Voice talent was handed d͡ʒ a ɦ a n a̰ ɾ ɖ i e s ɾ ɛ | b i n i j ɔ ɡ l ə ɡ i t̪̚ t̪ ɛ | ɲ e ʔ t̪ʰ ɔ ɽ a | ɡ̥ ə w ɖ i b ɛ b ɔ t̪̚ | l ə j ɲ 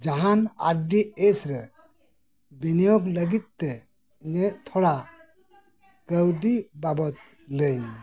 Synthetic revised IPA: d͡ʒ a ɦ a n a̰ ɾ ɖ i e s ɾ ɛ | b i n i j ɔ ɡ l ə ɡ i t̪̚ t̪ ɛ | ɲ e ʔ t̪ʰ ɔ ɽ a | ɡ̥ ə w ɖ i b a b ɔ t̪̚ | l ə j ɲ